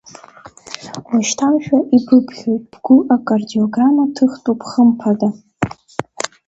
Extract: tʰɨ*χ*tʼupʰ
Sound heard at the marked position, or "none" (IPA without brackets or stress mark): χ